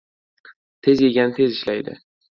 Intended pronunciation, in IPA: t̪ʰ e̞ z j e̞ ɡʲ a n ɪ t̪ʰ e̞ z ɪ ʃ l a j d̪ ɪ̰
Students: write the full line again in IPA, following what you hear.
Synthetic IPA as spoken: t̪ʰ e̞ z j e̞ ɡʲ a n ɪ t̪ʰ e̞ z ɪ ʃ l a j d̪ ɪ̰